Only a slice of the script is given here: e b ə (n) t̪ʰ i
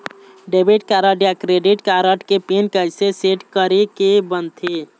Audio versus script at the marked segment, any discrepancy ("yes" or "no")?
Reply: no